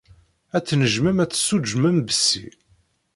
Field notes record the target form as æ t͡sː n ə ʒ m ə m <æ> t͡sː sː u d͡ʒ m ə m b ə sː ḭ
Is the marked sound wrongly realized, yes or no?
no